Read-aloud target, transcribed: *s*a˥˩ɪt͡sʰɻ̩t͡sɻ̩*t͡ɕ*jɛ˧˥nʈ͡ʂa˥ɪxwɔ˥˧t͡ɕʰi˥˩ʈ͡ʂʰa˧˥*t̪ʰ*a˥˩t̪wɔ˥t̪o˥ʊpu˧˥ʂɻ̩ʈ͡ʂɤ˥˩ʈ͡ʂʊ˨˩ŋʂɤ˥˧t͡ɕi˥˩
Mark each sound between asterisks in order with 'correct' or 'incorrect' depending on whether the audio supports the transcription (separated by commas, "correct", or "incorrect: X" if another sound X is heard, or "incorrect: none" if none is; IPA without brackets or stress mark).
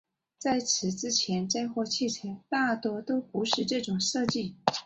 incorrect: t͡s, incorrect: t͡ɕʰ, incorrect: t̪